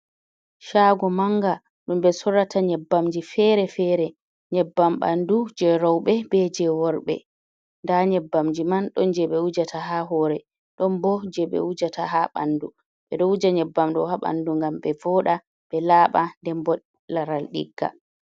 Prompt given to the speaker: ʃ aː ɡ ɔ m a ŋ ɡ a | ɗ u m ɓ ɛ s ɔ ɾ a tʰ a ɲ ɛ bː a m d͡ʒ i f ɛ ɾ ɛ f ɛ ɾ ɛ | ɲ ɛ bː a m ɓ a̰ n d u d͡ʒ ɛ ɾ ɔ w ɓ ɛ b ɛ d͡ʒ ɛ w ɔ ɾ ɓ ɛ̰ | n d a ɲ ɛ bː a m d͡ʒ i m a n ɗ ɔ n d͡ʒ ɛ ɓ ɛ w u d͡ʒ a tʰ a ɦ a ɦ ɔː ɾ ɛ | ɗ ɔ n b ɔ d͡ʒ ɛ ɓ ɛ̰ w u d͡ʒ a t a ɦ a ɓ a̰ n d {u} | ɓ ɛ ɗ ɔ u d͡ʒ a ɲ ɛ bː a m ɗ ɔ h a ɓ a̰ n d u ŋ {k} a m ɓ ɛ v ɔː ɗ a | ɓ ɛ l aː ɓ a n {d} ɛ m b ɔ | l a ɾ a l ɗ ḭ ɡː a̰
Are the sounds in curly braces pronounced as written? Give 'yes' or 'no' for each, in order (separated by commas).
yes, no, yes